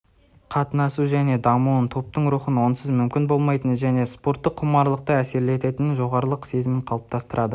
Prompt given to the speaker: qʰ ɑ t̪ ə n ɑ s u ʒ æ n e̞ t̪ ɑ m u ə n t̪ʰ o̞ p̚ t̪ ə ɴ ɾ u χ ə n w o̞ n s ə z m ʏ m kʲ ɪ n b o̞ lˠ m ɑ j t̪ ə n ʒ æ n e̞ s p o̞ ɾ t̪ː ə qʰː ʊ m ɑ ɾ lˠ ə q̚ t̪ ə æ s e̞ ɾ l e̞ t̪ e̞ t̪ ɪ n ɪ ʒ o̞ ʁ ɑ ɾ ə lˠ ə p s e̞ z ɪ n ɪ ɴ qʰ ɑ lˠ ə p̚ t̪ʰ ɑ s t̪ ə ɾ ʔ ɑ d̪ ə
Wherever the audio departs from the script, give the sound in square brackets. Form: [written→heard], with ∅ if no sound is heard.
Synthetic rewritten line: qʰ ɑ t̪ ə n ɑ s u ʒ æ n e̞ [t̪→d̪] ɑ m u ə n t̪ʰ o̞ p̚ t̪ ə ɴ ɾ u χ ə n w o̞ n s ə z m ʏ m kʲ ɪ n b o̞ lˠ m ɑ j t̪ ə n ʒ æ n e̞ s p o̞ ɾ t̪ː ə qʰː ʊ m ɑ ɾ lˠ ə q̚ t̪ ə æ s e̞ ɾ l e̞ t̪ e̞ t̪ ɪ n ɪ ʒ o̞ ʁ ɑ ɾ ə lˠ ə [p→q] s e̞ z ɪ [n→m] ɪ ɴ qʰ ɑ lˠ ə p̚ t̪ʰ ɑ s t̪ ə ɾ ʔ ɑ d̪ ə